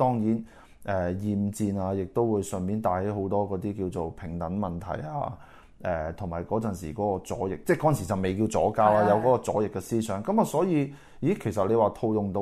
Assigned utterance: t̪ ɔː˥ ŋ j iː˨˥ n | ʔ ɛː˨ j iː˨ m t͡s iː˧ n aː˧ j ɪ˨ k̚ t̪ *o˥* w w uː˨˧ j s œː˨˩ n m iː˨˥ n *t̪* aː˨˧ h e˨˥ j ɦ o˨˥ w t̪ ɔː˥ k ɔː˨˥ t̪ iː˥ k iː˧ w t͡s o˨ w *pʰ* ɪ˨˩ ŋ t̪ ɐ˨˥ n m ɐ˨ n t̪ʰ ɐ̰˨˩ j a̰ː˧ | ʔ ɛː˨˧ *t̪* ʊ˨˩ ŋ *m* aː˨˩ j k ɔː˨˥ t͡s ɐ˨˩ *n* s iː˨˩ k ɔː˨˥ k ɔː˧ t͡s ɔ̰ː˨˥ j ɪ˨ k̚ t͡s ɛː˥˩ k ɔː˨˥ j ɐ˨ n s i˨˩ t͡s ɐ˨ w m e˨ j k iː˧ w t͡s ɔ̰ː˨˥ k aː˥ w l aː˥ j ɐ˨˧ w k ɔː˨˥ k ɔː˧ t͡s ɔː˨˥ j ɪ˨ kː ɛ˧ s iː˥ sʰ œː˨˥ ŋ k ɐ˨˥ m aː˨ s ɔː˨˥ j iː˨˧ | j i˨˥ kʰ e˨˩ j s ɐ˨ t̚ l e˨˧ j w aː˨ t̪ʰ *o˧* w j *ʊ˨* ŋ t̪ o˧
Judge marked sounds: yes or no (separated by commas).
yes, yes, yes, no, yes, yes, yes, yes